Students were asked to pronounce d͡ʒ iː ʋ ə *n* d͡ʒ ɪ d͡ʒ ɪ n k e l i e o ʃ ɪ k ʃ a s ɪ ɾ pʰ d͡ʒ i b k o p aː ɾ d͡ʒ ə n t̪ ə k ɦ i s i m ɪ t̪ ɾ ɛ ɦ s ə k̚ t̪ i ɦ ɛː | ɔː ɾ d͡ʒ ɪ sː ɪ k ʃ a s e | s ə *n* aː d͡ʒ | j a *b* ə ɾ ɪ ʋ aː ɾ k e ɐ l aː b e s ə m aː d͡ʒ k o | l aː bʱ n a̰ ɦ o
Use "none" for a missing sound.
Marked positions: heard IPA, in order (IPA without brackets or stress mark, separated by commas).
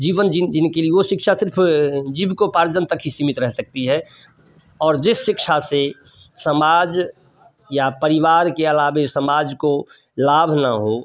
n, m, p